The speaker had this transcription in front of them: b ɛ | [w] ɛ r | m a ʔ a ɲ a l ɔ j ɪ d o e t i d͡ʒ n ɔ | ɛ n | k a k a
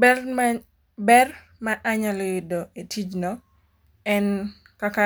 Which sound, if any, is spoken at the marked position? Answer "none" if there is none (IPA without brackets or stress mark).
b